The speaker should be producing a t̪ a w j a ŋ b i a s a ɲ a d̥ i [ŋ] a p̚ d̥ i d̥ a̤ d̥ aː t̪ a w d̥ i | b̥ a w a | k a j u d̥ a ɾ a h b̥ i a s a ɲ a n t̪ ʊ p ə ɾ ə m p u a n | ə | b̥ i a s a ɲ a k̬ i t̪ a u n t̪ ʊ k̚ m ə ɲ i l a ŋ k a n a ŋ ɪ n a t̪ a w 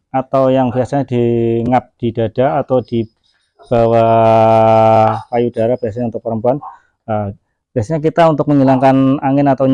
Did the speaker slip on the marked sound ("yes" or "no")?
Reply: no